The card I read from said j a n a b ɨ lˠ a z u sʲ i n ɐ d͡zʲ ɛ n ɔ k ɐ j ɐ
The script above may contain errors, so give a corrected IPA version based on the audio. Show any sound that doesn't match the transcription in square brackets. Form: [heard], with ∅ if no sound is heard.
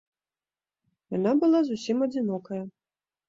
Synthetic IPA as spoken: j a n a b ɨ lˠ a z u sʲ i [m] ɐ d͡zʲ [i] n ɔ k ɐ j ɐ